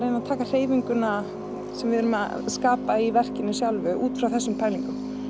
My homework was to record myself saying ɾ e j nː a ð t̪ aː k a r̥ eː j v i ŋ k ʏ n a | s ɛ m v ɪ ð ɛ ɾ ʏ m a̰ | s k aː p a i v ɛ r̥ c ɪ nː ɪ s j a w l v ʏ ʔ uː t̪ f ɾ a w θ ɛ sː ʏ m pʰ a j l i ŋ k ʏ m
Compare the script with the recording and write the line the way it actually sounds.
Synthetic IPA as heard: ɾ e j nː a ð t̪ʰ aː k a r̥ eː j v i ŋ k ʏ n a | s ɛ m v ɪ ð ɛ ɾ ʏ m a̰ | s k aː p a i v ɛ r̥ c ɪ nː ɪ s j a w l v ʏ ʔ uː t̪ f ɾ a w θ ɛ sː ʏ m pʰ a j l i ŋ k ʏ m